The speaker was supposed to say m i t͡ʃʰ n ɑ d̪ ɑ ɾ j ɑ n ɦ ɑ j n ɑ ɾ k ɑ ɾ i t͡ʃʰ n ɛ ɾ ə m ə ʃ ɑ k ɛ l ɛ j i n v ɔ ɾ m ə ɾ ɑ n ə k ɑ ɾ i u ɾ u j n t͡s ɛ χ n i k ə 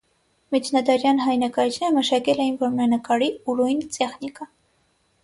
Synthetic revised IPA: m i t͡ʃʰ n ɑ d̪ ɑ ɾ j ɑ n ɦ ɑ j n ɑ k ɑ ɾ i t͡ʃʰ n ɛ ɾ ə m ə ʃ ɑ k ɛ l ɛ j i n v ɔ ɾ m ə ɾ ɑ n ə k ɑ ɾ i u ɾ u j n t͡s ɛ χ n i k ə